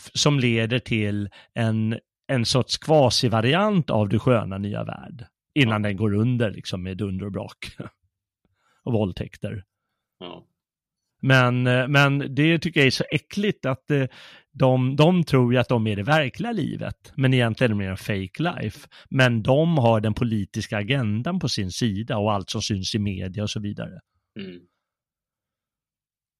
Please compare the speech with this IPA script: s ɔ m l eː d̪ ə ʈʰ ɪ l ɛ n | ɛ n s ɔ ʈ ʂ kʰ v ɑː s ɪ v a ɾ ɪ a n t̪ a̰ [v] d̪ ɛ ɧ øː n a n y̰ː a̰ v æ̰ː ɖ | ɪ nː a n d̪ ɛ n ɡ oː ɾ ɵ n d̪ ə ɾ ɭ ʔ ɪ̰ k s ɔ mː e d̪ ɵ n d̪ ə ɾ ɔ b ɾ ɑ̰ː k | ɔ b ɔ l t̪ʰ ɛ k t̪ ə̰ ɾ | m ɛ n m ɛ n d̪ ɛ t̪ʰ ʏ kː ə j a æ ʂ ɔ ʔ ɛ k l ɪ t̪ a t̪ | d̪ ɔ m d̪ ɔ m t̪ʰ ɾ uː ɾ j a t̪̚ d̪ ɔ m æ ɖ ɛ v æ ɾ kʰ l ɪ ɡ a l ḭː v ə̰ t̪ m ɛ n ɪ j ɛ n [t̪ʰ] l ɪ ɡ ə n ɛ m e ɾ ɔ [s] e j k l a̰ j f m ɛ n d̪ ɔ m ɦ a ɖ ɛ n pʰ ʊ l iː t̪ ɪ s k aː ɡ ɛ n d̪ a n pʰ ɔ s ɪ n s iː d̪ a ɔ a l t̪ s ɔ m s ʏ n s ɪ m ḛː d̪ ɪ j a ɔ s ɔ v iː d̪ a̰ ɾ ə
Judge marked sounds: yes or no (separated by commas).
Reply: yes, no, no